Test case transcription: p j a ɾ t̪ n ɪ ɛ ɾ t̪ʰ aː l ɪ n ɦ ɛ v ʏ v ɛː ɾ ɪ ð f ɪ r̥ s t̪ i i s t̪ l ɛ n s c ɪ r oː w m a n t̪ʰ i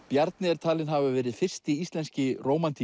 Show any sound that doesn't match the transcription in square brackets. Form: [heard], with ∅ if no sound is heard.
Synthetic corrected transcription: p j a ɾ t̪ n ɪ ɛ ɾ t̪ʰ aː l ɪ n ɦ [a] v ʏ v ɛː ɾ ɪ ð f ɪ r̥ s t̪ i i s t̪ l ɛ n s c ɪ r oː w m a n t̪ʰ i